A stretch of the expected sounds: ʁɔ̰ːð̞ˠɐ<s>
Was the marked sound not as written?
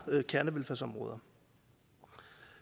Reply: yes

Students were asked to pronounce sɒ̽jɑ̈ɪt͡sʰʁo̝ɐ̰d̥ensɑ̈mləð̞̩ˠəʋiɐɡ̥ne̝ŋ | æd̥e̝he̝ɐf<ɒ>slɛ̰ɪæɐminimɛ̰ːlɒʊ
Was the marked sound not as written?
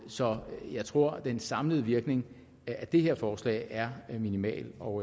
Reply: yes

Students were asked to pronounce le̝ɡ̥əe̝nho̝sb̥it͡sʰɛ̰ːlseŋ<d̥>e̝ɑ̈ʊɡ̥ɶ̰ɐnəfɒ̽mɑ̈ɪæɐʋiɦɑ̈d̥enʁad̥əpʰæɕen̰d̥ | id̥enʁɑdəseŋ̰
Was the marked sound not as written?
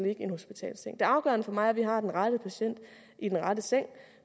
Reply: no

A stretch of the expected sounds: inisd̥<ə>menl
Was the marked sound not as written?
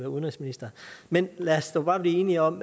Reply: yes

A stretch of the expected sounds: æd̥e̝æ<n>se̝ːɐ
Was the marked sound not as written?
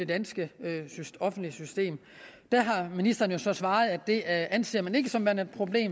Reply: no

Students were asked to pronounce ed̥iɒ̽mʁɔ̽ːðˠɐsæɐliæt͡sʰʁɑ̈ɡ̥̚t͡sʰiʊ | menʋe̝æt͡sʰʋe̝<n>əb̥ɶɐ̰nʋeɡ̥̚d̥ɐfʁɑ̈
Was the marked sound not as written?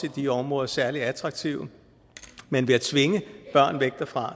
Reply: yes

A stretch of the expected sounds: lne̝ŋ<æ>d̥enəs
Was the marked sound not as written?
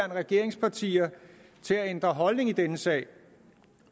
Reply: yes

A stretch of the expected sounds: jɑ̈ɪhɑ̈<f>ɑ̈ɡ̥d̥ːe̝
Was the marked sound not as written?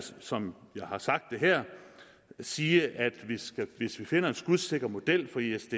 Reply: yes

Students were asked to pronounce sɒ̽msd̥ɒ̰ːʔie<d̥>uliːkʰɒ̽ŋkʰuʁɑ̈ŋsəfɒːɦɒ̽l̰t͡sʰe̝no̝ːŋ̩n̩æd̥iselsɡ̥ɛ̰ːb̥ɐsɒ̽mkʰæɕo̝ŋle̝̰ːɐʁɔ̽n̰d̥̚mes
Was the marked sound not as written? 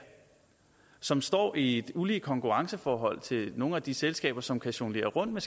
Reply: no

